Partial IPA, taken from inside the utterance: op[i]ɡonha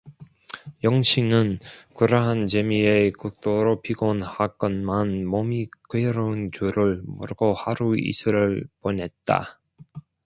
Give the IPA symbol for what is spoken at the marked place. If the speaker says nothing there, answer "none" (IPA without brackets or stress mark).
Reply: i